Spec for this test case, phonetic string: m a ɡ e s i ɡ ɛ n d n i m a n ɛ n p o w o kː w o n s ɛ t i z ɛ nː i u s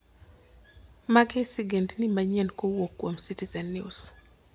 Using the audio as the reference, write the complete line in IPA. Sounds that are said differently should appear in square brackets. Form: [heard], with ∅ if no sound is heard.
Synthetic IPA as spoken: m a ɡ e s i ɡ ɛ n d n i m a [ɲ] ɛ n [k] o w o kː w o [m] s [i] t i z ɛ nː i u s

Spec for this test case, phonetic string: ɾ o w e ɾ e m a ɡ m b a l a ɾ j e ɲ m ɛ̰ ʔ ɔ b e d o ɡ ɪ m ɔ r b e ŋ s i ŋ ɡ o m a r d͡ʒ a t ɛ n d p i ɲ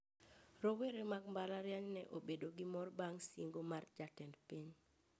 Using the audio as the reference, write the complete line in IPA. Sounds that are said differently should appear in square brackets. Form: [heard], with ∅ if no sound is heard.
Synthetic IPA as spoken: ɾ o w e ɾ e m a ɡ m b a l a ɾ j [a] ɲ [n] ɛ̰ ʔ [o] b e d o ɡ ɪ m ɔ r b [a] ŋ s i ŋ ɡ o m a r d͡ʒ a t ɛ n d p i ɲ

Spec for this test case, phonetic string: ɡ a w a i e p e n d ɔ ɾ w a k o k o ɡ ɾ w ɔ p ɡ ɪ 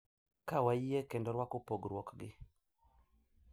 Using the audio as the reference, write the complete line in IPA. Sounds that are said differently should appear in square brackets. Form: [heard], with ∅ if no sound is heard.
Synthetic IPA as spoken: [k] a w a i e [k] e n d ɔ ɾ w a k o [p] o ɡ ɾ w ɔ [k] ɡ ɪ

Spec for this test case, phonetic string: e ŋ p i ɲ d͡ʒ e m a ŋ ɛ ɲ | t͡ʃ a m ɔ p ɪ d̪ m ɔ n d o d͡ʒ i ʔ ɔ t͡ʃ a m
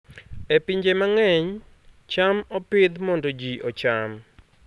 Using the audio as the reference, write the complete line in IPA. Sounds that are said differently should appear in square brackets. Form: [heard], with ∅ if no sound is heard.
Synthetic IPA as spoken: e [∅] p i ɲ d͡ʒ e m a ŋ ɛ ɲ | t͡ʃ a m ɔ p ɪ d̪ m ɔ n d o d͡ʒ i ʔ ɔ t͡ʃ a m

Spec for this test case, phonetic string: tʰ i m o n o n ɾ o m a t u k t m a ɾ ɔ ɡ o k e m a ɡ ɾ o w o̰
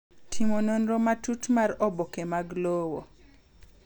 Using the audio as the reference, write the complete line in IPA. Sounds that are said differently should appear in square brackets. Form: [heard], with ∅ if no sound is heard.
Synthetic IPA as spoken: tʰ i m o n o n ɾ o m a t u [∅] t m a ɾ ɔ [b] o k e m a ɡ [l] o w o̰

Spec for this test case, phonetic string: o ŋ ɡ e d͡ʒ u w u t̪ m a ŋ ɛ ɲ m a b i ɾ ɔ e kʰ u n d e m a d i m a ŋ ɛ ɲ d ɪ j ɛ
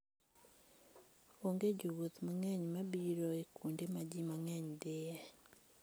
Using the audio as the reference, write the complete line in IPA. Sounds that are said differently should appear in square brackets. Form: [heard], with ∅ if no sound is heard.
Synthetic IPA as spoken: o ŋ ɡ e d͡ʒ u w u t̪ m a ŋ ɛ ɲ m a b i ɾ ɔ e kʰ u n d e m a [d͡ʒ] i m a ŋ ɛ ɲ d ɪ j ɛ

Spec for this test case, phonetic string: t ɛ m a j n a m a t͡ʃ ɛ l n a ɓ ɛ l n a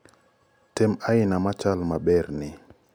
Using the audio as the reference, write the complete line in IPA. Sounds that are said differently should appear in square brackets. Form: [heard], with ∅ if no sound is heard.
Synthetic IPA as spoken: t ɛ m a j n a m a t͡ʃ [a] l [m] a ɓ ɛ [ɾ] n [i]

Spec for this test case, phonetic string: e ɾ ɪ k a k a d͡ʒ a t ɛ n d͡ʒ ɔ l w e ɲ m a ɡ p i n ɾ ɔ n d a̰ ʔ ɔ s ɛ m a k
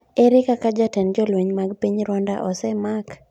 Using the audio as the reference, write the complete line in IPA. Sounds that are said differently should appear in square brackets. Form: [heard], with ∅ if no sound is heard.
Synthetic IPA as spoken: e ɾ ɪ k a k a d͡ʒ a t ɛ n d͡ʒ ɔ l w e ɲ m a ɡ p i [ɲ] ɾ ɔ n d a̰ ʔ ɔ s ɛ m a k

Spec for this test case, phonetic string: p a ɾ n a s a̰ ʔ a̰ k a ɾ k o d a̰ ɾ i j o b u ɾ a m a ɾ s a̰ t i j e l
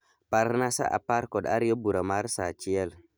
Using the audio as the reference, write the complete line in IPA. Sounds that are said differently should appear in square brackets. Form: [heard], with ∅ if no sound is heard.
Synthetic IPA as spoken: p a ɾ n a s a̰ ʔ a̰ [p] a ɾ k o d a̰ ɾ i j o b u ɾ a m a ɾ s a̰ [t͡ʃ] i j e l

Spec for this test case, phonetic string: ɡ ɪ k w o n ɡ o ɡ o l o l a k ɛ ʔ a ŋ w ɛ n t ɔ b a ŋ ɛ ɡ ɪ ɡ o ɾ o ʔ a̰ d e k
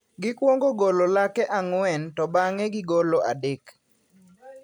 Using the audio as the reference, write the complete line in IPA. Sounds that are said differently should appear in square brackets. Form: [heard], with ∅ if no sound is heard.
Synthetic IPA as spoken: ɡ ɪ k w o [ŋ] ɡ o ɡ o l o l a k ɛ ʔ a ŋ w ɛ n t ɔ b a ŋ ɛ ɡ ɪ ɡ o [l] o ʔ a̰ d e k

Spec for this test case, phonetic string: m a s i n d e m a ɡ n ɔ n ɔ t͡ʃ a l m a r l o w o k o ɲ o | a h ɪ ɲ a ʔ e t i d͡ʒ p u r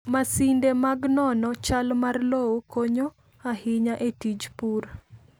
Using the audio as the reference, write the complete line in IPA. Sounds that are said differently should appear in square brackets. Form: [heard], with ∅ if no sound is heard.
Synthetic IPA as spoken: m a s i n d e m a ɡ n ɔ n ɔ t͡ʃ a l m a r l o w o k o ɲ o | a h ɪ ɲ a ʔ e t i d͡ʒ p u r

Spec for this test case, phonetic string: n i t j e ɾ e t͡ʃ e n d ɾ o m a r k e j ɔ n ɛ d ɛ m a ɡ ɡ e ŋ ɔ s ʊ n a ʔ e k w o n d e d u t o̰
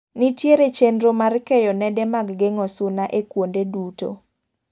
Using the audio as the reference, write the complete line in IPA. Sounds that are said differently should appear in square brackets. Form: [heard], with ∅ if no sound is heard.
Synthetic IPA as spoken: n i t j e ɾ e t͡ʃ e n d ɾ o m a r k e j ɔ n ɛ d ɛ m a ɡ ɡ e ŋ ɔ s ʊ n a ʔ e k w o n d e d u t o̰

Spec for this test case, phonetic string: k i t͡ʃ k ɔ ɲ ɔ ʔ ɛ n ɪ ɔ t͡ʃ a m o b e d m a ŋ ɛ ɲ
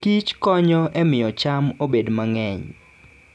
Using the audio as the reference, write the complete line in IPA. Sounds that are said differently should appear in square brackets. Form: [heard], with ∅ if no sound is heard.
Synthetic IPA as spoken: k i t͡ʃ k ɔ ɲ ɔ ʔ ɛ [m] ɪ ɔ t͡ʃ a m o b e d m a ŋ ɛ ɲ

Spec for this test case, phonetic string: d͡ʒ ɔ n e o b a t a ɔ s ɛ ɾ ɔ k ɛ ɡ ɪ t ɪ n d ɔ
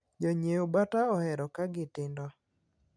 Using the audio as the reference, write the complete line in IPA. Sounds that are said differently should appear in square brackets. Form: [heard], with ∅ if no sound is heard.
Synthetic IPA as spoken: d͡ʒ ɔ [ɲ] e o b a t a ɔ [h] ɛ ɾ ɔ k [a] ɡ ɪ t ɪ n d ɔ

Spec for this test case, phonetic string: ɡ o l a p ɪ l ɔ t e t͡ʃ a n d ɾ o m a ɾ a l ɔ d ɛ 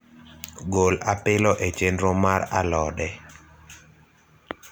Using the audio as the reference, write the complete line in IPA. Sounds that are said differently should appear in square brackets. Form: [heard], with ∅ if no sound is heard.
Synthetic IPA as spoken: ɡ o l a p ɪ l ɔ [ʔ] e t͡ʃ [e] n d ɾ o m a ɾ a l ɔ d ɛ

